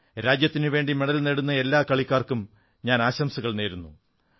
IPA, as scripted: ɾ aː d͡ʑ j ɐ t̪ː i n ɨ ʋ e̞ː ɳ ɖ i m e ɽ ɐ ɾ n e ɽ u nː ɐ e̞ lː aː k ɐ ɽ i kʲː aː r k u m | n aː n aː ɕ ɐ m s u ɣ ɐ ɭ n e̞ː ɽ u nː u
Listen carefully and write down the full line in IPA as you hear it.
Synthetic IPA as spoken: ɾ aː d͡ʑ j ɐ t̪ː i n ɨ ʋ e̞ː ɳ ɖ i m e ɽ ɐ l n e ɽ u nː ɐ e̞ lː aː k ɐ ɭ i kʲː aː r k u m | ɲ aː n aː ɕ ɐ m s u ɣ ɐ ɭ n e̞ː ɾ u nː u